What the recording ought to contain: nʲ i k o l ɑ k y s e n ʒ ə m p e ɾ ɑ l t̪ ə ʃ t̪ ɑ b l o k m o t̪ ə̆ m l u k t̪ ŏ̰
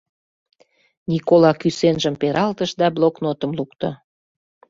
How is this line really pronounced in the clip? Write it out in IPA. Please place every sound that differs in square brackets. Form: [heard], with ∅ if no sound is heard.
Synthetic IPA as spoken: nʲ i k o l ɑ k y s e n ʒ ə m p e ɾ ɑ l t̪ ə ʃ [d̪] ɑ b l o k [n] o t̪ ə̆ m l u k t̪ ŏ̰